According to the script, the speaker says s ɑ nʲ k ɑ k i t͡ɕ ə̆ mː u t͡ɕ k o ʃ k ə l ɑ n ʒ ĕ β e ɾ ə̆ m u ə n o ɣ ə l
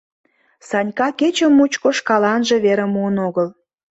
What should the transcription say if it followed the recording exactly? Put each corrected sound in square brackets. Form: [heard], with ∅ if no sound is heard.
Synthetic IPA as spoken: s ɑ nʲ k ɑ k [e] t͡ɕ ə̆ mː u t͡ɕ k o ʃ k [ɑ] l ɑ n ʒ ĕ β e ɾ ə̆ m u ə n o ɣ ə l